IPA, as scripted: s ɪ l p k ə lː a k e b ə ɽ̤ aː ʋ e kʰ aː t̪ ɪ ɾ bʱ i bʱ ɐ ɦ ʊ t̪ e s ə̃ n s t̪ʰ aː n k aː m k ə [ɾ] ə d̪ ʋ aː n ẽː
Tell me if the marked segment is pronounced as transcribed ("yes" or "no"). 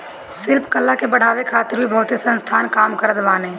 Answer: yes